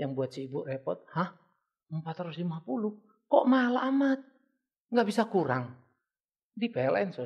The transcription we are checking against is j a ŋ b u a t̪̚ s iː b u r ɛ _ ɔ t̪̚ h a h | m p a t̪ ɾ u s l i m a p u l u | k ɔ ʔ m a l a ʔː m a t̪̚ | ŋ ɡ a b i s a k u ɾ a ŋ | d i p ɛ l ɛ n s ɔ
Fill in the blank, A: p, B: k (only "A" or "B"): A